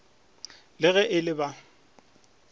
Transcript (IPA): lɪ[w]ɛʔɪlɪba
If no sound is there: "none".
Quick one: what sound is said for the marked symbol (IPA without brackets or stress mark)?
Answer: ɣ